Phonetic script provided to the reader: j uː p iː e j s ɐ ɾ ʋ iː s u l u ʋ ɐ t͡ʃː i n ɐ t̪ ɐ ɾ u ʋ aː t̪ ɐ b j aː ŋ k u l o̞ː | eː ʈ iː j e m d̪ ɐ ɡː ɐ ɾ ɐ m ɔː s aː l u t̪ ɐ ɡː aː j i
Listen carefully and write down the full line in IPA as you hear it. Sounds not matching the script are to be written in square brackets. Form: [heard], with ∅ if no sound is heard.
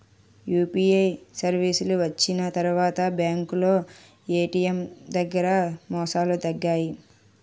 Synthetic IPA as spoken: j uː p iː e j s ɐ ɾ ʋ iː s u l u ʋ ɐ t͡ʃː i n ɐ t̪ ɐ ɾ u ʋ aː t̪ ɐ b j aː ŋ k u l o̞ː | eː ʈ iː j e m d̪ ɐ ɡː ɐ ɾ ɐ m ɔː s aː l u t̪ ɐ ɡː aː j i